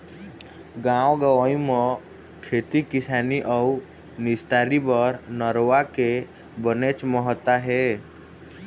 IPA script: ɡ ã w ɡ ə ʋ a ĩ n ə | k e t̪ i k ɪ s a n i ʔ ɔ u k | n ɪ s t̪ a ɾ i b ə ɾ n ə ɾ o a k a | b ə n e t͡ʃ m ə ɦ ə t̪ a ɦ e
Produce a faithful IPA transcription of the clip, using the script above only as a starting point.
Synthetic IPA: ɡ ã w ɡ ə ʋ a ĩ m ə | kʰ e t̪ i k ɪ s a n i ʔ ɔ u | n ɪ s t̪ a ɾ i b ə ɾ n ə ɾ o a k e | b ə n e t͡ʃ m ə ɦ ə t̪ a ɦ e